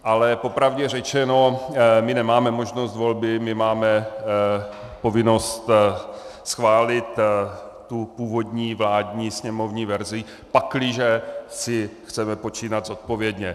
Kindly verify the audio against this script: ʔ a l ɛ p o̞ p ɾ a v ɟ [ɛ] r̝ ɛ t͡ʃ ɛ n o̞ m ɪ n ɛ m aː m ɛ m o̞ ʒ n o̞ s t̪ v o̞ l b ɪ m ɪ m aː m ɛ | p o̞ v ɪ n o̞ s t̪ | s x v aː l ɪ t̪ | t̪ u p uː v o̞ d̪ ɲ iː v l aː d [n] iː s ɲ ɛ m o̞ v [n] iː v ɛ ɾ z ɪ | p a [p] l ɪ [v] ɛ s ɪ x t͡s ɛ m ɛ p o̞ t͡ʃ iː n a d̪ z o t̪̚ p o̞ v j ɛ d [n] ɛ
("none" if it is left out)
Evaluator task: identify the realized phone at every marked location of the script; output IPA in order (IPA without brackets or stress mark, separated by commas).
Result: ɛ, ɲ, ɲ, k, ʒ, ɲ